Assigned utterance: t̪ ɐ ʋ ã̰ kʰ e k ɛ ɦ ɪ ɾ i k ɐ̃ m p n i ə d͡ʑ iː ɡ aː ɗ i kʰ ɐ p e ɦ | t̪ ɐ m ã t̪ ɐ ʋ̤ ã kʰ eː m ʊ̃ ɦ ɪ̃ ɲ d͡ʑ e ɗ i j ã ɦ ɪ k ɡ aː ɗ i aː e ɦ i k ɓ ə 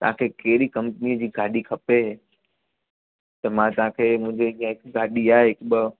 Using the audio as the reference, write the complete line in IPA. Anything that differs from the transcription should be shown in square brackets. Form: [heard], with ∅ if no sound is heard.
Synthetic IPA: t̪ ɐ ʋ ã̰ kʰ e k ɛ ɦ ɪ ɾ i k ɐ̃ m p n i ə d͡ʑ iː ɡ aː ɗ i kʰ ɐ p e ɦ | t̪ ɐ m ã t̪ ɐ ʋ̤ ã kʰ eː m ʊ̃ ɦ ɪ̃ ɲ d͡ʑ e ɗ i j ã ɦ ɪ k ɡ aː ɗ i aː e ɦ [ɪ] k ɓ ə